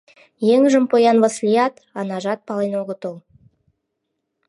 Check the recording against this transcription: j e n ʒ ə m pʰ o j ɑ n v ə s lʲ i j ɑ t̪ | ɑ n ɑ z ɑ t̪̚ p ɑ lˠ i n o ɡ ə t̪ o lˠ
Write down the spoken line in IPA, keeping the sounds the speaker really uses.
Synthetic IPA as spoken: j e ŋ ʒ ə m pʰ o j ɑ n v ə s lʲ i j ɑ t̪ | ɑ n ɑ ʒ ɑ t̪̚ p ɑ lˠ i n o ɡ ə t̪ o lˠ